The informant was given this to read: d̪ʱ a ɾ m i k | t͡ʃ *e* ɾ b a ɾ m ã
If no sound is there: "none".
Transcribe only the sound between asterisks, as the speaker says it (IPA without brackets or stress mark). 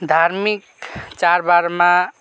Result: a